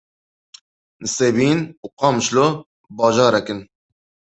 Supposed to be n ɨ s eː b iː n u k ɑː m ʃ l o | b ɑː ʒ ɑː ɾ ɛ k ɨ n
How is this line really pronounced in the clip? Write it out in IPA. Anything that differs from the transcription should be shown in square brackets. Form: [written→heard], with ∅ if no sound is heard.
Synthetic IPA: n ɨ s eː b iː n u [k→q] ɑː m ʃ l o | b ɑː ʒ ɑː ɾ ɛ k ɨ n

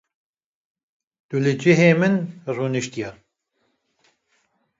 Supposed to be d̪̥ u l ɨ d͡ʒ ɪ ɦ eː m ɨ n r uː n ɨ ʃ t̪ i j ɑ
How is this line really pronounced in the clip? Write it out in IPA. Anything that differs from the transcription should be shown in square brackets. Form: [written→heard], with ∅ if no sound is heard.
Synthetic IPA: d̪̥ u l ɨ d͡ʒ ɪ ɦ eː m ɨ n r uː n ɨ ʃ t̪ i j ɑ

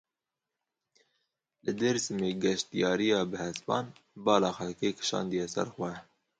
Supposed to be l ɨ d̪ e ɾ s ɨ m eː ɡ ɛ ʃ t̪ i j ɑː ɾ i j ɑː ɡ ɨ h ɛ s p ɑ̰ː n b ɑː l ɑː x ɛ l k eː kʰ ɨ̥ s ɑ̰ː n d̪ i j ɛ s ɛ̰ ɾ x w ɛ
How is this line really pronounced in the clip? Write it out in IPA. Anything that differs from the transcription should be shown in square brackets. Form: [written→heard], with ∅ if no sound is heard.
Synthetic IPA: l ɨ d̪ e ɾ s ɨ m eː ɡ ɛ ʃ t̪ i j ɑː ɾ i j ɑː [ɡ→b] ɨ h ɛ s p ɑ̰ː n b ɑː l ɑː x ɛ l k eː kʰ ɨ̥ [s→ʃ] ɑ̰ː n d̪ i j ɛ s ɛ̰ ɾ x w ɛ

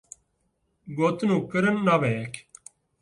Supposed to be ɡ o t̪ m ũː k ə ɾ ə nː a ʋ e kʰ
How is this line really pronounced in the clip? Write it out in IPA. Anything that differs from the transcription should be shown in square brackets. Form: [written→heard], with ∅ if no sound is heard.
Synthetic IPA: ɡ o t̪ [m→n] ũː k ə ɾ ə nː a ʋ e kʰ

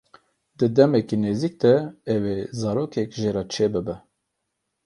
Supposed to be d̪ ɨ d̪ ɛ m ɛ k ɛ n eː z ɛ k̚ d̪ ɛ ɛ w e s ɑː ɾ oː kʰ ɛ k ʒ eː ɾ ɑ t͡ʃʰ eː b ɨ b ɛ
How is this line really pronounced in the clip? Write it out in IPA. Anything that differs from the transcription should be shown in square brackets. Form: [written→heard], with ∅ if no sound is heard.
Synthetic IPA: d̪ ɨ d̪ ɛ m ɛ k [ɛ→i] n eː z [ɛ→i] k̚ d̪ ɛ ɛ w e [s→z] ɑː ɾ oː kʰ ɛ k ʒ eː ɾ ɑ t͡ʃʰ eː b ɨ b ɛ

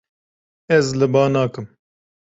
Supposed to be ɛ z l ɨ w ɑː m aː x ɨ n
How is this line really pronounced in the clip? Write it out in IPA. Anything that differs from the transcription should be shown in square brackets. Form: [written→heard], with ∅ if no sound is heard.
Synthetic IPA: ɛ z l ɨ [w→b] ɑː [m→n] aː [x→k] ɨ [n→m]

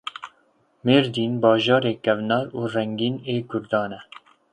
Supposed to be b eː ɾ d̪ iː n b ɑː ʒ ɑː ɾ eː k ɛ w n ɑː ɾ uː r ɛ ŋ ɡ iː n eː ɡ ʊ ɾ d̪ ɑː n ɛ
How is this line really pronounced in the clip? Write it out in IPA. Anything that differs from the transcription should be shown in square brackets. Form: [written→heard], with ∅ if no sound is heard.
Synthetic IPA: [b→m] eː ɾ d̪ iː n b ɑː ʒ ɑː ɾ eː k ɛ [w→v] n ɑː ɾ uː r ɛ ŋ ɡ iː n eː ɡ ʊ ɾ d̪ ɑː n ɛ

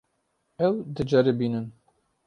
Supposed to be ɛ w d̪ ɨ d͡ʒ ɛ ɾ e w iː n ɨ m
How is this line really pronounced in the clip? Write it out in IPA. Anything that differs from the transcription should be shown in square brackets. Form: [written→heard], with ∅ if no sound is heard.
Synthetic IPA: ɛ w d̪ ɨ d͡ʒ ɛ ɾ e [w→b] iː n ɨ [m→n]

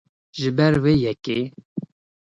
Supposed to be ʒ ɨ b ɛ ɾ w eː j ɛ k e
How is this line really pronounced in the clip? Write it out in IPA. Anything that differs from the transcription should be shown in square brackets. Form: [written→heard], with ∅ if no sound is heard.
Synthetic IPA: ʒ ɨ b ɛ ɾ w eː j ɛ k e

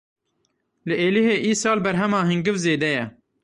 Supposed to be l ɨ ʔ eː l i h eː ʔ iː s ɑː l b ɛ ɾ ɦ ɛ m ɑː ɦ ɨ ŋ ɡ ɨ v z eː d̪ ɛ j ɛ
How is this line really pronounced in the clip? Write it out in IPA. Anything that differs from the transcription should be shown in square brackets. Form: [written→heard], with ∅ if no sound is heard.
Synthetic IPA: l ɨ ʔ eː l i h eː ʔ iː s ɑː l b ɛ ɾ ɦ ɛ m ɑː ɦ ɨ ŋ ɡ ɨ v z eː d̪ ɛ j ɛ

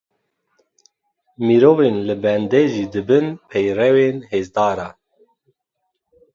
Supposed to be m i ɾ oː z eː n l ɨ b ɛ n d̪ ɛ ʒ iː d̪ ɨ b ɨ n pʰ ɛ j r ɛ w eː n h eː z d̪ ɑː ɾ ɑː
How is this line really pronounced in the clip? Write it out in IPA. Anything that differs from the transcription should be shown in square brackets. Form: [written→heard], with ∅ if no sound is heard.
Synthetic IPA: m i ɾ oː [z→v] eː n l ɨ b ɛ n d̪ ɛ ʒ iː d̪ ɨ b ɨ n pʰ ɛ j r ɛ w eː n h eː z d̪ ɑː ɾ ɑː

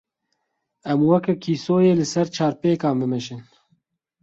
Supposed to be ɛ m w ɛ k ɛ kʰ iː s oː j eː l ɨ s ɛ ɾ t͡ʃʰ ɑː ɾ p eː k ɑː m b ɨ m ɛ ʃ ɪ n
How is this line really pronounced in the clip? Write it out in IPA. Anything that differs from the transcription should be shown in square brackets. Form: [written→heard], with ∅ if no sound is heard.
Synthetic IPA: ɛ m w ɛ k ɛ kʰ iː s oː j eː l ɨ s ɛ ɾ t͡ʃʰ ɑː ɾ p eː k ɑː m b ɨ m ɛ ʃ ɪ n

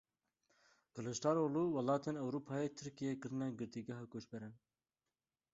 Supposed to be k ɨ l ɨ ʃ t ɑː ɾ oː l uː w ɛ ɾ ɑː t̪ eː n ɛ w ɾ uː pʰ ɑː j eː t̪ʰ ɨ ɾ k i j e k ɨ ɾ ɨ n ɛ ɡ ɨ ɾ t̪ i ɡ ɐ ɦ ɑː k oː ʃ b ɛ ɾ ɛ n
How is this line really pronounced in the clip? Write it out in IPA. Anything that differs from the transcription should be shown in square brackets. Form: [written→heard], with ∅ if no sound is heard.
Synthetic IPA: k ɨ l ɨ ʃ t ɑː ɾ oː l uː w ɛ [ɾ→l] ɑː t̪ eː n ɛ w ɾ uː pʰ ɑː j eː t̪ʰ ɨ ɾ k i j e k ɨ ɾ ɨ n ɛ ɡ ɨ ɾ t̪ i ɡ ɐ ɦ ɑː k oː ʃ b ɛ ɾ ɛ n

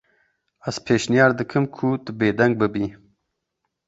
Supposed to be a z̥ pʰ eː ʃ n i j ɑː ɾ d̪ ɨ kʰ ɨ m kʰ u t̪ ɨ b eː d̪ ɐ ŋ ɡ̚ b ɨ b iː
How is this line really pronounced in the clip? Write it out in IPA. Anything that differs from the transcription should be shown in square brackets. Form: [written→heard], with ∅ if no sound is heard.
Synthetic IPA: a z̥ pʰ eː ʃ n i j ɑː ɾ d̪ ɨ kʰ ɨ m kʰ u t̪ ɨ b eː d̪ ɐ ŋ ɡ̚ b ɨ b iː

